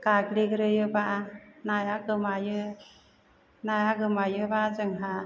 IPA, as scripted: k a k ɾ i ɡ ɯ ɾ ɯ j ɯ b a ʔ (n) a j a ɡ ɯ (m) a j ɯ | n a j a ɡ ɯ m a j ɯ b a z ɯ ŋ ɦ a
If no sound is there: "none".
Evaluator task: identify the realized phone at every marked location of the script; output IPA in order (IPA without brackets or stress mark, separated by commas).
n, m